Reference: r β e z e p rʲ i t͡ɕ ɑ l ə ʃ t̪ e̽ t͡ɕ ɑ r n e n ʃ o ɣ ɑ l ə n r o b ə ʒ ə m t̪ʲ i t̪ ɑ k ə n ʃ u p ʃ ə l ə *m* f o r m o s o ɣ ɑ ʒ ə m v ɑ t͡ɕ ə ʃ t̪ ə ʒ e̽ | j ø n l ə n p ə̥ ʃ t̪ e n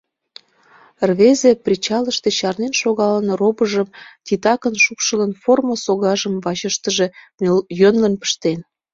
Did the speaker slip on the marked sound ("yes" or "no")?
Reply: yes